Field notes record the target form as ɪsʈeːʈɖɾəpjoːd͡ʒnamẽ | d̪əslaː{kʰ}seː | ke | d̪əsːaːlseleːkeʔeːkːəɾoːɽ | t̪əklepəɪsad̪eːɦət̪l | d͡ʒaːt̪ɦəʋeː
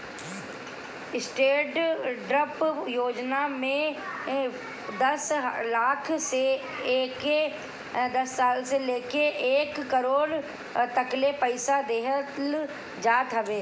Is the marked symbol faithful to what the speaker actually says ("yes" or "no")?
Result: yes